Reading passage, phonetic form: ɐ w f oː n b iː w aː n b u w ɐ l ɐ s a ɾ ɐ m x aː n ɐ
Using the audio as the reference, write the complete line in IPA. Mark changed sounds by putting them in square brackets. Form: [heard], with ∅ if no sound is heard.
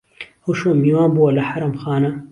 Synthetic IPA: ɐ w [ʃ] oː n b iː w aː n b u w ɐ l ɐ [ħ] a ɾ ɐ m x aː n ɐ